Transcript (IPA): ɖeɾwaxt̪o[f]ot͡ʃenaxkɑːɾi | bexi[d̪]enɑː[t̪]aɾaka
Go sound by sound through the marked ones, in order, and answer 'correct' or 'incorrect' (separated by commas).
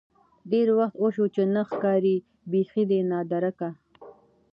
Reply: incorrect, correct, incorrect